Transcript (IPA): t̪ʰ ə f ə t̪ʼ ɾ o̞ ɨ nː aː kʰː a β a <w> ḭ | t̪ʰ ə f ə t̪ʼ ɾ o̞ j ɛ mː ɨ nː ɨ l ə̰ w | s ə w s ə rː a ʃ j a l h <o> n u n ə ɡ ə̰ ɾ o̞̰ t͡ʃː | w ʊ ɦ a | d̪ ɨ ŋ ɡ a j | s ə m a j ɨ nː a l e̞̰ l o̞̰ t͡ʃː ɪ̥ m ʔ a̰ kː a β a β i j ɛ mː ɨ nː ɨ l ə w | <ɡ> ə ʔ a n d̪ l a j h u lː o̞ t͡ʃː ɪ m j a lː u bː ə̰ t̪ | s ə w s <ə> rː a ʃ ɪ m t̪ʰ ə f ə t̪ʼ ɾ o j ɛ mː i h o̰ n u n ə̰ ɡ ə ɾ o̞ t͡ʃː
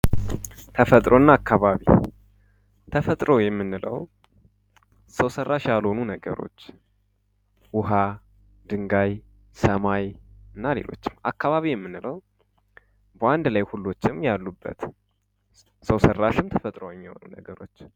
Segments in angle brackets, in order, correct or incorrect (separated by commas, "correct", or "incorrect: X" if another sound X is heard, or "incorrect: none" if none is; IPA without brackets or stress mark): incorrect: β, correct, incorrect: b, correct